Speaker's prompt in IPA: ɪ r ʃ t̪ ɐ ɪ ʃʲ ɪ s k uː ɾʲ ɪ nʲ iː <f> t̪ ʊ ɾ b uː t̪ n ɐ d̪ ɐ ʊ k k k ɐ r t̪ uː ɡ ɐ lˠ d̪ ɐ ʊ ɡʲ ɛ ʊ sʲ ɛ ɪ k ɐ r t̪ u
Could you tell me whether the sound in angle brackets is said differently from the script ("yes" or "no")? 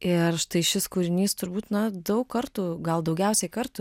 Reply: yes